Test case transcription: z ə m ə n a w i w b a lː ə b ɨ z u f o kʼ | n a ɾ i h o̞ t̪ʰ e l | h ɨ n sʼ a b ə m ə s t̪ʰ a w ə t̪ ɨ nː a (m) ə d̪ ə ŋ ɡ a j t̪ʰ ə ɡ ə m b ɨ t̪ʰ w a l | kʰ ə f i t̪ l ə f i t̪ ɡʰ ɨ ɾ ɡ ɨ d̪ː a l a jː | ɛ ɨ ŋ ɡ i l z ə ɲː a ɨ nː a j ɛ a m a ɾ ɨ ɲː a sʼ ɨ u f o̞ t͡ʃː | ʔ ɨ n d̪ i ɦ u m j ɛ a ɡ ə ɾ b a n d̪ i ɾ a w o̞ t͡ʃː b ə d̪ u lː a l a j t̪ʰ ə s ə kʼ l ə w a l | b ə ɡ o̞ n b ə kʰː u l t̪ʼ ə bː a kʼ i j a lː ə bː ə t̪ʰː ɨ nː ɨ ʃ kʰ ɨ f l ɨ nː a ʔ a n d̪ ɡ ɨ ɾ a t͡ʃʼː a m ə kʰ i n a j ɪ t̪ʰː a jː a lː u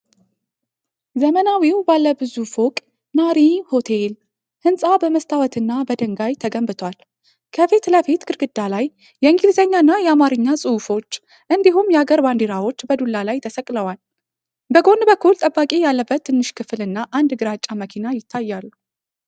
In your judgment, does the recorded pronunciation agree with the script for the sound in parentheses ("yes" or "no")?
no